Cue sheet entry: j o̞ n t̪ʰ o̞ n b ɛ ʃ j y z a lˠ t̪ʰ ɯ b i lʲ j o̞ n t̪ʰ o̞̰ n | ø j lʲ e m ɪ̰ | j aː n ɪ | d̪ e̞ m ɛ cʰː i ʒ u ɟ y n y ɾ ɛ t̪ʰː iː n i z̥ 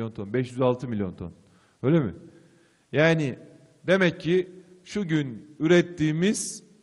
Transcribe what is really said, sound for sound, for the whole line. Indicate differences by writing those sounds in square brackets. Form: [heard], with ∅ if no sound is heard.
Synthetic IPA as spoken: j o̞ n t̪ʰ o̞ n b ɛ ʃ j y z a lˠ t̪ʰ ɯ [m] i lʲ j o̞ n t̪ʰ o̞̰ n | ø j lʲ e m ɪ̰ | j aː n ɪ | d̪ e̞ m ɛ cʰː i [ʃ] u ɟ y n y ɾ ɛ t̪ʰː iː [m] i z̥